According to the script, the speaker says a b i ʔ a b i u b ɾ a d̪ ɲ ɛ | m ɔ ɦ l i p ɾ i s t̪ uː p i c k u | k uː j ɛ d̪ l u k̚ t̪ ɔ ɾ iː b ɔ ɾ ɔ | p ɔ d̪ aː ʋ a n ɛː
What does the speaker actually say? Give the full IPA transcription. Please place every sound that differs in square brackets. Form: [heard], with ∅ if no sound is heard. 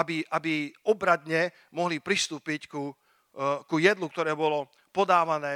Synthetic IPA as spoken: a b i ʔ a b i [ɔ] b ɾ a d̪ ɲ ɛ | m ɔ ɦ l i p ɾ i s t̪ uː p i c k u | k [u] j ɛ d̪ l u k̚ t̪ ɔ ɾ [ɛː] b ɔ [l] ɔ | p ɔ d̪ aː ʋ a n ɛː